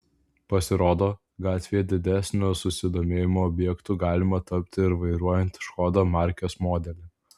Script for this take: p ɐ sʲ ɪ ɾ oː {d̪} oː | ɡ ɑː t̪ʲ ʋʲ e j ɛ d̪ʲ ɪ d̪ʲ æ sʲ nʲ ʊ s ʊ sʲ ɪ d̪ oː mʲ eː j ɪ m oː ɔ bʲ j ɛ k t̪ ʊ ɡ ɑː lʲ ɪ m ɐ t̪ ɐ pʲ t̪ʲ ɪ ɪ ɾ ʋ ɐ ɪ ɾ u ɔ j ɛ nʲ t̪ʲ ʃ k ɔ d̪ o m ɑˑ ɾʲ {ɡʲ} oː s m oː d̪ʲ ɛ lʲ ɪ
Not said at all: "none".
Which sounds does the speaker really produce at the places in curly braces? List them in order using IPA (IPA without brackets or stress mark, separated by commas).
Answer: d̪, kʲ